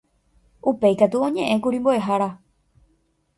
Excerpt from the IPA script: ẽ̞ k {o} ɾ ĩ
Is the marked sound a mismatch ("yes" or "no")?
yes